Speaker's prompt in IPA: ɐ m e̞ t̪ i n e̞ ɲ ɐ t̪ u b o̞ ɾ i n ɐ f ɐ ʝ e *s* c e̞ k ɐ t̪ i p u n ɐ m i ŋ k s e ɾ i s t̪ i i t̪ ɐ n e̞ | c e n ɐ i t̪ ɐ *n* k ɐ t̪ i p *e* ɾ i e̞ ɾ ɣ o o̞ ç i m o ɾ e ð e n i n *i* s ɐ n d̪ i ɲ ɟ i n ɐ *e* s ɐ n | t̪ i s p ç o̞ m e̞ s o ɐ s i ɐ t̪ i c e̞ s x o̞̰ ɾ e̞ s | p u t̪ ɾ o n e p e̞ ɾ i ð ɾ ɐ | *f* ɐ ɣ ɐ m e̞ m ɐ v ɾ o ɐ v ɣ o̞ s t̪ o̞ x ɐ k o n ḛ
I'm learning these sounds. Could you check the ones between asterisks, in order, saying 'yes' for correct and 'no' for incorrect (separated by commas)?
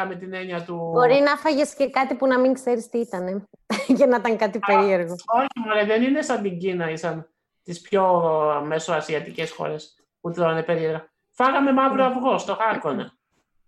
yes, no, yes, no, no, yes